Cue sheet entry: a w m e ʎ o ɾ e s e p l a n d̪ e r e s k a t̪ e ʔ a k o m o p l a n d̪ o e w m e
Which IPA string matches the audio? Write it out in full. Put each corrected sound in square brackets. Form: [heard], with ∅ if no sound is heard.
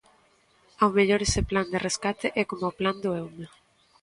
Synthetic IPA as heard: a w m e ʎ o ɾ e s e p l a n d̪ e r e s k a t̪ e ʔ [ɛ] k o m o p l a n d̪ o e w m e